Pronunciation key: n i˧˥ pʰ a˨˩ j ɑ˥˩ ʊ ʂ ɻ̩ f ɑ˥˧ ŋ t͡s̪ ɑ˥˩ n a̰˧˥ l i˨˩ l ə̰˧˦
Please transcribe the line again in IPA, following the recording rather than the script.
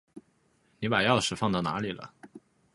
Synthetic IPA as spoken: n i˧˥ p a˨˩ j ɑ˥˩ ʊ ʂ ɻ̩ f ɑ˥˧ ŋ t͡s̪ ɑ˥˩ n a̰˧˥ l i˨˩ l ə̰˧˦